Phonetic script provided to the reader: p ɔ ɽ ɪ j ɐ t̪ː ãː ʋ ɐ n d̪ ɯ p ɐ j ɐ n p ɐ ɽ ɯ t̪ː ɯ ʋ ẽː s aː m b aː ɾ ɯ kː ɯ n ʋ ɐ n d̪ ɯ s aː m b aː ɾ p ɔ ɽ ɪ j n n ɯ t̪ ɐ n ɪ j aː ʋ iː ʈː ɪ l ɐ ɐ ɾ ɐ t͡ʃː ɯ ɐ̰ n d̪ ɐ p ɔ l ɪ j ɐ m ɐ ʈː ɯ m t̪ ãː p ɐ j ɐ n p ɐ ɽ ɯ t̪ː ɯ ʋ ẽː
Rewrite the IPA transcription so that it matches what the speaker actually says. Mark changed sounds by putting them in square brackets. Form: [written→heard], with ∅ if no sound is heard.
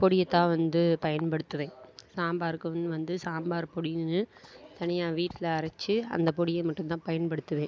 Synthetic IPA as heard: p ɔ ɽ ɪ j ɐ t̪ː ãː ʋ ɐ n d̪ ɯ p ɐ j ɐ n p ɐ ɽ ɯ t̪ː ɯ ʋ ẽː s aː m b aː ɾ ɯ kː ɯ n ʋ ɐ n d̪ ɯ s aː m b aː ɾ p ɔ ɽ ɪ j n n ɯ t̪ ɐ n ɪ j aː ʋ iː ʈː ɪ l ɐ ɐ ɾ ɐ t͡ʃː ɯ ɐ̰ n d̪ ɐ p ɔ [l→ɽ] ɪ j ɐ m ɐ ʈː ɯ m t̪ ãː p ɐ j ɐ n p ɐ ɽ ɯ t̪ː ɯ ʋ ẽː